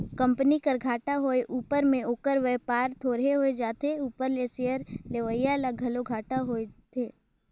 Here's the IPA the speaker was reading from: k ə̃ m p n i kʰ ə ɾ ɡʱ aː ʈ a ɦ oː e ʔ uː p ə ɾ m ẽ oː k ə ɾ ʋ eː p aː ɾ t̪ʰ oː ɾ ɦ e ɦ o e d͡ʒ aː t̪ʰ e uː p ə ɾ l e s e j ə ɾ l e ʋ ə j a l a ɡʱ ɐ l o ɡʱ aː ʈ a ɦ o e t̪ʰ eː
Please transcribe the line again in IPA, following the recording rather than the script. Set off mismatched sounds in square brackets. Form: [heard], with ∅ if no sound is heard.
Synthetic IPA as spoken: k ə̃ m p n i [k] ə ɾ ɡʱ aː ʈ a ɦ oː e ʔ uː p ə ɾ m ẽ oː k ə ɾ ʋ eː p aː ɾ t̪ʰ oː ɾ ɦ e ɦ o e d͡ʒ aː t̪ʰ e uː p ə ɾ l e s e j ə ɾ l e ʋ ə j a l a ɡʱ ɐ l o ɡʱ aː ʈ a ɦ o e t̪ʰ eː